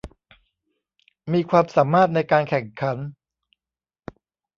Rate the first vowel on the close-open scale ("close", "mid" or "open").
close